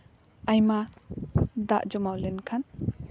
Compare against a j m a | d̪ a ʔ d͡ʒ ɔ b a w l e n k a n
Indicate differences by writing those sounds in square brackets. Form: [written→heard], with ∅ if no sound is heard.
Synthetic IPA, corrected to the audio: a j m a | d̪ a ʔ d͡ʒ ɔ [b→m] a w l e n [k→kʰ] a n